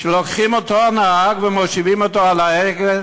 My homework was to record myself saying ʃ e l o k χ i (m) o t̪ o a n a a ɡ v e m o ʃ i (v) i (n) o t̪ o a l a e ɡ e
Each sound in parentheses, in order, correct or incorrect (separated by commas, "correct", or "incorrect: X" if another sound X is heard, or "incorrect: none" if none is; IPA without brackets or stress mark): correct, correct, incorrect: m